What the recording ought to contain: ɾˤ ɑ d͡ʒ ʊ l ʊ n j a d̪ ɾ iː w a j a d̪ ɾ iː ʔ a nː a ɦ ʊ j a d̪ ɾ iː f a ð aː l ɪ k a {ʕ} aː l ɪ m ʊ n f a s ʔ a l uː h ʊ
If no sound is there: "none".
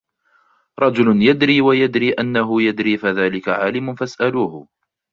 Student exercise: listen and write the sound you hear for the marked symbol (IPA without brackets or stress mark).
ʕ